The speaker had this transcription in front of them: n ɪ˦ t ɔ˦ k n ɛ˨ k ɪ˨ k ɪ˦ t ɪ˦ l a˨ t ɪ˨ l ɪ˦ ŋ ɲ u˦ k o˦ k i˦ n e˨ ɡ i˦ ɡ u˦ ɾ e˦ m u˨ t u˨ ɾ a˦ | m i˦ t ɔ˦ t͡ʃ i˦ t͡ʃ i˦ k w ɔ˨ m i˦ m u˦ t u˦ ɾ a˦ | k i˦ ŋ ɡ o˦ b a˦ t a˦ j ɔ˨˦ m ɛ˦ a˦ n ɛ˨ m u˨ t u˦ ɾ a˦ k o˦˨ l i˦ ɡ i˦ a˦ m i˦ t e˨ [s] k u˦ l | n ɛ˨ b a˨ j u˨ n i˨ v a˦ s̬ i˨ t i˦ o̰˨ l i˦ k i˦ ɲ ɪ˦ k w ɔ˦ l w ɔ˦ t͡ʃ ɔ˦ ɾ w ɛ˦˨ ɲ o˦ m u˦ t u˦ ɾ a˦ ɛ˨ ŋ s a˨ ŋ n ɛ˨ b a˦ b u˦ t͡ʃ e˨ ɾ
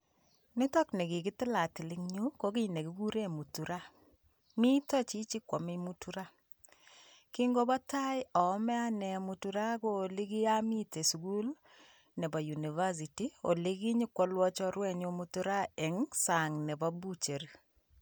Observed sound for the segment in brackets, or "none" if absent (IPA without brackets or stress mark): s